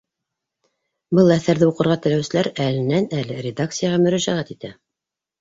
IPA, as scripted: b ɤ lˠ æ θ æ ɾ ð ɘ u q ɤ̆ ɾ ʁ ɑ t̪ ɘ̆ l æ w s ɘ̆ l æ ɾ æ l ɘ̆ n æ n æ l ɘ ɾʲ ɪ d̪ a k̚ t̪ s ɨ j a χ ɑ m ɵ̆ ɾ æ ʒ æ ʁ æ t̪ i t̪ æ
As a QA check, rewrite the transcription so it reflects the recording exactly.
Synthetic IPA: b ɤ lˠ æ θ æ ɾ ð ɘ u q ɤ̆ ɾ ʁ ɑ t̪ ɘ̆ l æ w s ɘ̆ l æ ɾ æ l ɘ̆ n æ n æ l ɘ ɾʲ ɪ d̪ a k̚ t̪ s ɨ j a ʁ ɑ m ɵ̆ ɾ æ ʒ æ ʁ æ t̪ i t̪ æ